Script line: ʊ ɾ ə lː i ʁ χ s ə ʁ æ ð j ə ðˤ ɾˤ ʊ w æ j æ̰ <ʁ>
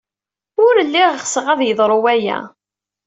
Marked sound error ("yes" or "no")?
yes